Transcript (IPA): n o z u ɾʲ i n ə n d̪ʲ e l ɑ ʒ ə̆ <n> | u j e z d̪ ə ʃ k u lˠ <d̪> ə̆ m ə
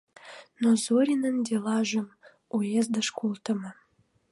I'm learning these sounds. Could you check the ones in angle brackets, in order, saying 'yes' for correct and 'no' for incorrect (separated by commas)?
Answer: no, no